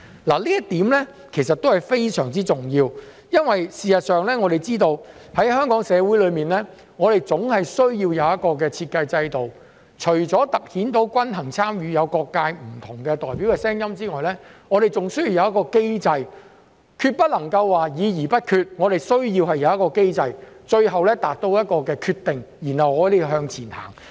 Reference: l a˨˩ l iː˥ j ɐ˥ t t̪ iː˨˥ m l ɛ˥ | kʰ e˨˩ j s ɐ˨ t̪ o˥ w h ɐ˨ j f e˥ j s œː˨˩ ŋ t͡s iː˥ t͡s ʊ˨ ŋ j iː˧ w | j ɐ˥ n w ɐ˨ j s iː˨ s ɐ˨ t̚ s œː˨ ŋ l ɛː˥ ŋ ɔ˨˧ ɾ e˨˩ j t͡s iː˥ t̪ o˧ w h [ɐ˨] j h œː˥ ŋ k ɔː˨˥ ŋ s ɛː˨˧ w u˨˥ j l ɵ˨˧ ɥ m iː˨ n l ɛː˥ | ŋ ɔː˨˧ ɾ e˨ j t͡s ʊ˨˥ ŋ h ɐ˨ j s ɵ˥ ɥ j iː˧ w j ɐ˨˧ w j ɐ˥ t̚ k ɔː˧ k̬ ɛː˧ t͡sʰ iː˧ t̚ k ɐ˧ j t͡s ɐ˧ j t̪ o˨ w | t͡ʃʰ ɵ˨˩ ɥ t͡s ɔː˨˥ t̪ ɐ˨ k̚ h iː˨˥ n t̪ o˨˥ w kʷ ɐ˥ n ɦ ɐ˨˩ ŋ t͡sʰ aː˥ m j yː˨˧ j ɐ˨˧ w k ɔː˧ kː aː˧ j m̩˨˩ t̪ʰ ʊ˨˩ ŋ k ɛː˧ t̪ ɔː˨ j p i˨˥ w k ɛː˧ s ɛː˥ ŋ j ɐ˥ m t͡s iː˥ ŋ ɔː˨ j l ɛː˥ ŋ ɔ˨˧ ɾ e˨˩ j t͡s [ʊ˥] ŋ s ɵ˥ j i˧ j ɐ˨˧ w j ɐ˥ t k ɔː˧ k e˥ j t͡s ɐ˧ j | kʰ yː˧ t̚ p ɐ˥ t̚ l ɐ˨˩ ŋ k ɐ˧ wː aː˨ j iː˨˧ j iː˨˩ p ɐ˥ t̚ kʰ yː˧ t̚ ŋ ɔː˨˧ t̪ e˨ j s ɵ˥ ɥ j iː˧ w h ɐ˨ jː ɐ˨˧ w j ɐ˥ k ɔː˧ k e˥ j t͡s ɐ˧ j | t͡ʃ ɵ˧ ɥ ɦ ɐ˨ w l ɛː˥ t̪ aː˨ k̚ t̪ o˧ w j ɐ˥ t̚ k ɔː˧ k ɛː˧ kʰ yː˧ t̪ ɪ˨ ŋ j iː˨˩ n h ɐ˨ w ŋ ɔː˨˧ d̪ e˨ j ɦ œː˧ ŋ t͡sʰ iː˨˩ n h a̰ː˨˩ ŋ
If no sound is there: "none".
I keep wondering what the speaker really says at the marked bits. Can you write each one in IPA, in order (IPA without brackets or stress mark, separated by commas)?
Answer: ɐ˨˥, ʊ˨